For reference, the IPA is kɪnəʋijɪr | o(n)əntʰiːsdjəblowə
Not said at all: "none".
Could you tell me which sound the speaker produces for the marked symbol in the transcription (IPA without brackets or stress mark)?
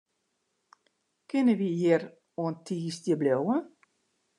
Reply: none